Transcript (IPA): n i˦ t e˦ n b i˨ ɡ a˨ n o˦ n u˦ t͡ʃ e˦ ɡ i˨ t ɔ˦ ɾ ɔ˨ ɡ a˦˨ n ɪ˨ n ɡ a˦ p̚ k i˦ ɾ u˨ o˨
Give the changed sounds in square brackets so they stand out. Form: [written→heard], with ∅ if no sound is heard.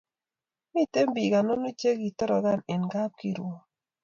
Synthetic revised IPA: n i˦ t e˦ [n→m] b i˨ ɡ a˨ n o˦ n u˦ t͡ʃ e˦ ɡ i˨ t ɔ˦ ɾ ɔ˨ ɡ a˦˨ n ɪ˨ n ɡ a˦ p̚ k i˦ ɾ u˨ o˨